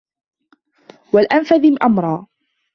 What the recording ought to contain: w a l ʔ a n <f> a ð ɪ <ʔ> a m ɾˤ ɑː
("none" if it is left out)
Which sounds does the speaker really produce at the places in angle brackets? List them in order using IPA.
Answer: f, ʔ

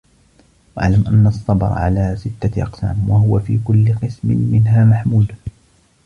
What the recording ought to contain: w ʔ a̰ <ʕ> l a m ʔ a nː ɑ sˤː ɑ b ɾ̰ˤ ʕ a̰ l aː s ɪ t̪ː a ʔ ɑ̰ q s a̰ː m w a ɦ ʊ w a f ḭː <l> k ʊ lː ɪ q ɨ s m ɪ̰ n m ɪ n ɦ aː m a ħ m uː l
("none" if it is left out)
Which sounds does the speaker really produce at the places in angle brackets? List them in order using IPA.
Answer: ʕ, none

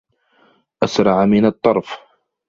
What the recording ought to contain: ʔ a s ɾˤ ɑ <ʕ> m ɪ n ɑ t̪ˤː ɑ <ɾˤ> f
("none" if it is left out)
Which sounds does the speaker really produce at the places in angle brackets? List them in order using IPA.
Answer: ʕ, ɾˤ

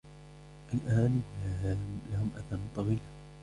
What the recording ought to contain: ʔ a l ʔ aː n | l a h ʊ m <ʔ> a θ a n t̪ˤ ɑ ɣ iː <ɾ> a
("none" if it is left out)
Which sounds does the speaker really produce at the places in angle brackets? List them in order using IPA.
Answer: ʔ, l

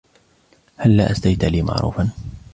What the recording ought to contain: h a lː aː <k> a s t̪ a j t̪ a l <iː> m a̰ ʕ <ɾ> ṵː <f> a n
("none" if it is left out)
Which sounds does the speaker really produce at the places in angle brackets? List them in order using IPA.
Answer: ʔ, iː, ɾ, f

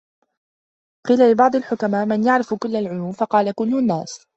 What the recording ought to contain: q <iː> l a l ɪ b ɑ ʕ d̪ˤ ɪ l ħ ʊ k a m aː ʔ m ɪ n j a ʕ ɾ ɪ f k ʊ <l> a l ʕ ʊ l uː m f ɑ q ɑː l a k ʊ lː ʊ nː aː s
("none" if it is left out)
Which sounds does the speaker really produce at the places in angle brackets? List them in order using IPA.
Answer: iː, lː

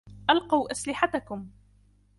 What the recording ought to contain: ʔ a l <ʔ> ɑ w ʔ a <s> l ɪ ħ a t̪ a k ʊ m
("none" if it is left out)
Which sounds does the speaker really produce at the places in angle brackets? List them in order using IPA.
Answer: q, s

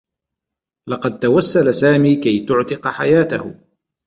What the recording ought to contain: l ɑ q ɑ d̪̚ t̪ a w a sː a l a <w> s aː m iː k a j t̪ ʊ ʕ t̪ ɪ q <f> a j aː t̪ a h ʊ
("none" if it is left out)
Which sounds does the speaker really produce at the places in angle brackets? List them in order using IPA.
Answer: none, ħ

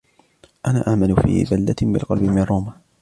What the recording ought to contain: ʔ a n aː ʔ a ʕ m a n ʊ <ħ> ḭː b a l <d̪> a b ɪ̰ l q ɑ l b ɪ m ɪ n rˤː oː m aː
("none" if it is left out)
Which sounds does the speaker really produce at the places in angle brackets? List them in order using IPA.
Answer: f, d̪

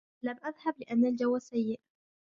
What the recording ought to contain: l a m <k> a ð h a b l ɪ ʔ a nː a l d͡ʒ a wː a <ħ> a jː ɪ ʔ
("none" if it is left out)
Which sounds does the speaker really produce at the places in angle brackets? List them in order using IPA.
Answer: ʔ, s

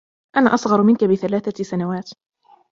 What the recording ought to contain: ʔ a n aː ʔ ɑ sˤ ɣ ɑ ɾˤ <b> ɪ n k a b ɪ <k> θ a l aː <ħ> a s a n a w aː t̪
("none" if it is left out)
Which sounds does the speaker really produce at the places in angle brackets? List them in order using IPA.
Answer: m, none, θ

